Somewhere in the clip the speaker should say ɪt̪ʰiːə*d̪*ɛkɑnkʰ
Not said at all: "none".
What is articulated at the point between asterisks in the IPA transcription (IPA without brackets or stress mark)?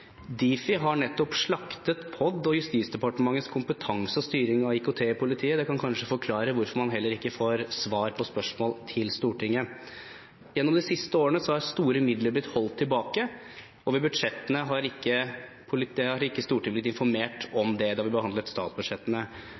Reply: d̪